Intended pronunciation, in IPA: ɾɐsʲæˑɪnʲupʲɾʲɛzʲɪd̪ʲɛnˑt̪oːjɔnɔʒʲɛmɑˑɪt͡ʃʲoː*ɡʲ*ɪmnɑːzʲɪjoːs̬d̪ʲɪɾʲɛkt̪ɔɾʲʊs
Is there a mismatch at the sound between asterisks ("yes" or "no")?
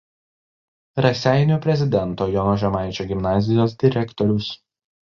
no